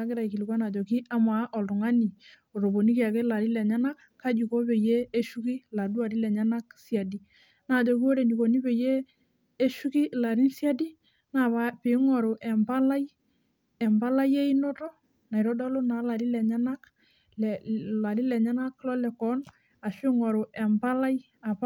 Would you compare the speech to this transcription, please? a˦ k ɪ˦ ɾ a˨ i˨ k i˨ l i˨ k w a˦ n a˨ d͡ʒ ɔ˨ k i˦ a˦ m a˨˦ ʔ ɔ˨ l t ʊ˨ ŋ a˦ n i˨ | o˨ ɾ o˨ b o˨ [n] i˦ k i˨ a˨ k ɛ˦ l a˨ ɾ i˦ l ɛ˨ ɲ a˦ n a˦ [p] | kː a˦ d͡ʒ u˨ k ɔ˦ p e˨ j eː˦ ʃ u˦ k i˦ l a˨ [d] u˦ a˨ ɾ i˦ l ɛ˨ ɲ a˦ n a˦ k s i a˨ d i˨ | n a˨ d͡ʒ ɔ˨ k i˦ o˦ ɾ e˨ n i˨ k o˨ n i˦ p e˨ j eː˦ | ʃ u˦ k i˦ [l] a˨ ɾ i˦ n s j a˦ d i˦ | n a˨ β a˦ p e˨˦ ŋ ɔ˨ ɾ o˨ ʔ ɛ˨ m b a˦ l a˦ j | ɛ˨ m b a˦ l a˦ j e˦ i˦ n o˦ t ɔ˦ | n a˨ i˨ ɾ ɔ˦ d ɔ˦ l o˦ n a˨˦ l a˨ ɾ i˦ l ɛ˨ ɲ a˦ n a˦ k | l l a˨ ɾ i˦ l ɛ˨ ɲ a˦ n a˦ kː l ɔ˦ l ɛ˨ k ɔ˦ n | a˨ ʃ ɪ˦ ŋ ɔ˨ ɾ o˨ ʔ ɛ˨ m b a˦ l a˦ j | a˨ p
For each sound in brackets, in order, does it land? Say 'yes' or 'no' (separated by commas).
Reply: yes, no, yes, yes